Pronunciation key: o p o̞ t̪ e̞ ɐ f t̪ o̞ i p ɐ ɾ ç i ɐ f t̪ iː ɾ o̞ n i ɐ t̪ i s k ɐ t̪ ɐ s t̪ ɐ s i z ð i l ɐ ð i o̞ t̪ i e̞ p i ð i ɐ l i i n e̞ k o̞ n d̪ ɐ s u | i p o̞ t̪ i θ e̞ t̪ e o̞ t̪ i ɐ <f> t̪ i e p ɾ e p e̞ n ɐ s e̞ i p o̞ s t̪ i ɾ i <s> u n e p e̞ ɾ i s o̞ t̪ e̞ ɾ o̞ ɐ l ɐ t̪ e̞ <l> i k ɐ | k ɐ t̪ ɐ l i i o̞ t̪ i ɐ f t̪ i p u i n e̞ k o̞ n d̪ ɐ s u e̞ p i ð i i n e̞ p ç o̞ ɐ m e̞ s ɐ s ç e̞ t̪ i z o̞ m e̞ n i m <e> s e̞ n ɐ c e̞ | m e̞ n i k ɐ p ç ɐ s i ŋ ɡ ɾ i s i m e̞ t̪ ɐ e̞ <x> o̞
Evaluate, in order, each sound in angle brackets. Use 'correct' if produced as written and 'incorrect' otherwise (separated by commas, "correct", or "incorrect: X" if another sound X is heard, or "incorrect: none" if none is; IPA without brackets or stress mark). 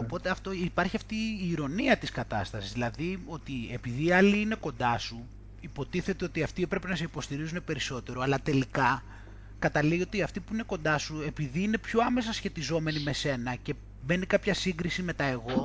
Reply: correct, incorrect: z, correct, correct, incorrect: ɣ